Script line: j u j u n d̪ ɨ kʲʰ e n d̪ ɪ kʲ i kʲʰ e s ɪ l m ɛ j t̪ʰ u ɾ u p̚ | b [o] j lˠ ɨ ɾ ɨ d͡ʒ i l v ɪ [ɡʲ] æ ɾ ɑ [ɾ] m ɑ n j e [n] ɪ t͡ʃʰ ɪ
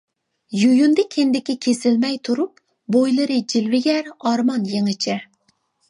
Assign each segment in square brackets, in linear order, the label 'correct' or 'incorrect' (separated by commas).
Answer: correct, correct, correct, incorrect